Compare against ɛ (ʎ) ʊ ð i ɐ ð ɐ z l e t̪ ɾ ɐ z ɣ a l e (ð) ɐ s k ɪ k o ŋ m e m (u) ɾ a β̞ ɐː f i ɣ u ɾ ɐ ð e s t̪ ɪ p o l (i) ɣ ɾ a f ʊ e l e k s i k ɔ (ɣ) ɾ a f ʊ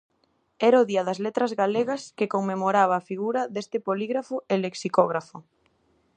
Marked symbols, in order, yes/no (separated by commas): no, no, no, yes, yes